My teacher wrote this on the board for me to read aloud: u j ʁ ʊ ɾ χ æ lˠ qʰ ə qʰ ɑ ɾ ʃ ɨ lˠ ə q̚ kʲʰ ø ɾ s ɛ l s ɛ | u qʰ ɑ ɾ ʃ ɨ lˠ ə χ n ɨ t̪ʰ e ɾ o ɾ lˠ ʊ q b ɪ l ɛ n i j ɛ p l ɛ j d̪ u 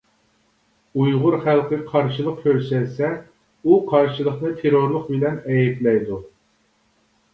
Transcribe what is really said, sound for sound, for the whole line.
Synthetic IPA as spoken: u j ʁ ʊ ɾ χ æ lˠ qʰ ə qʰ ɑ ɾ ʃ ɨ lˠ ə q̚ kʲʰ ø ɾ s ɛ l s ɛ | u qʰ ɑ ɾ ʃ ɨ lˠ ə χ n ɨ t̪ʰ e ɾ o ɾ lˠ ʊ q b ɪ l ɛ n ɛ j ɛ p l ɛ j d̪ u

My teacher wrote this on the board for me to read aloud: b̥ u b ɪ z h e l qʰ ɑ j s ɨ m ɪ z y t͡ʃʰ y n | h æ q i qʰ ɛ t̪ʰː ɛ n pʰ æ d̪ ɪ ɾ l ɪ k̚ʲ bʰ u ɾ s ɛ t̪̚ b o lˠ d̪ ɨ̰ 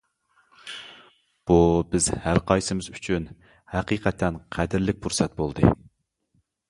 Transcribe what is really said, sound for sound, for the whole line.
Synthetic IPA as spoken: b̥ u b ɪ z h æ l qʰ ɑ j s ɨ m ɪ z y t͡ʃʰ y n | h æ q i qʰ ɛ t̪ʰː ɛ n qʰ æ d̪ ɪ ɾ l ɪ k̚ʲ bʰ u ɾ s ɛ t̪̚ b o lˠ d̪ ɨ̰

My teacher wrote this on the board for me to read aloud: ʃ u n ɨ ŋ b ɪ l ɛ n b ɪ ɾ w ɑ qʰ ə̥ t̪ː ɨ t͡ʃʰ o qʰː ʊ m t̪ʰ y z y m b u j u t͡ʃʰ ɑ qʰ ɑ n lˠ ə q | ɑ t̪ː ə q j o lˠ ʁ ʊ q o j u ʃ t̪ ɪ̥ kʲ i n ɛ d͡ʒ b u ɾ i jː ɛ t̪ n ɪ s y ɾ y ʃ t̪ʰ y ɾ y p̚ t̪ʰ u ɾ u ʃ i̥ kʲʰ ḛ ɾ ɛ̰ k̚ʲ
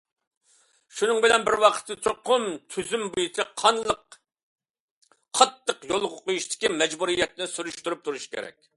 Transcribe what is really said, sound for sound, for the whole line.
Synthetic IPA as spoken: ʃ u n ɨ ŋ b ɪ l ɛ n b ɪ ɾ w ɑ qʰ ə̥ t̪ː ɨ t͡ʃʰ o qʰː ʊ m t̪ʰ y z y m b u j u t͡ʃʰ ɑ qʰ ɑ n lˠ ə q | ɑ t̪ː ə q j o lˠ ʁ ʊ q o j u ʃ t̪ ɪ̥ kʲ i m ɛ d͡ʒ b u ɾ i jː ɛ t̪ n ɪ s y ɾ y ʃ t̪ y ɾ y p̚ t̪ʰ u ɾ u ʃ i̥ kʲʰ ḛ ɾ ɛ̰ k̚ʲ

